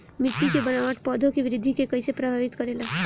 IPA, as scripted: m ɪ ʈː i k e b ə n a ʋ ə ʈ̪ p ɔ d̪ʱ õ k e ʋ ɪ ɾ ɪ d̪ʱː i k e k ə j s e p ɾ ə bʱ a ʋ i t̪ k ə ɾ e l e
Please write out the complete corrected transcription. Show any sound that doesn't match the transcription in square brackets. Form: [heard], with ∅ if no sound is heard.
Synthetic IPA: m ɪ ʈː i k e b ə n a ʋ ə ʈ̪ p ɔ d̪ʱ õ k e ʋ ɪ ɾ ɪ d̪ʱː i k e k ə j s e p ɾ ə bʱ a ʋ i t̪ k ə ɾ e l [a]